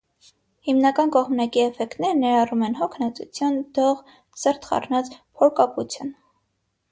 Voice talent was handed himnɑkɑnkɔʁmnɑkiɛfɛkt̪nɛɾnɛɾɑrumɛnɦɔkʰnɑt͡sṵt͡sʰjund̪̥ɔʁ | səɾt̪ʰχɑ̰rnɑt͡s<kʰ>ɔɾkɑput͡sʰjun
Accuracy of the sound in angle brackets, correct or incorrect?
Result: incorrect